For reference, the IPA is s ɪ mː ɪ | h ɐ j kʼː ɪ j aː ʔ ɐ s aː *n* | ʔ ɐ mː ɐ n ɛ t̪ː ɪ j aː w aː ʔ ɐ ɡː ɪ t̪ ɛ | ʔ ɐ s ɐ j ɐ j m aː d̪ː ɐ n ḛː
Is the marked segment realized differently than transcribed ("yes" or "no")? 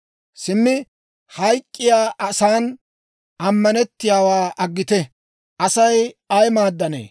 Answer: no